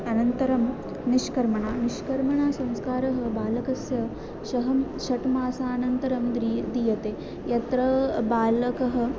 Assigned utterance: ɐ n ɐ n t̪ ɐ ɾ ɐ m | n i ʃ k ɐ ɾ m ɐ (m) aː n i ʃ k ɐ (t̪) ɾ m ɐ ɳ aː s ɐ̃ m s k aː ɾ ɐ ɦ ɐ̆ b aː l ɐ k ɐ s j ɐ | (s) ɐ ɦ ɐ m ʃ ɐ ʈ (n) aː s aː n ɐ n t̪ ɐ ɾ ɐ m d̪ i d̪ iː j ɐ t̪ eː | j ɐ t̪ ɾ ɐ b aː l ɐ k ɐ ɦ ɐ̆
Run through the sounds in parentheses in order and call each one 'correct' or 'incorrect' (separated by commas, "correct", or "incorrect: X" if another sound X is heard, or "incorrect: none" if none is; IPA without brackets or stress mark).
incorrect: ɳ, incorrect: none, incorrect: ʃ, incorrect: m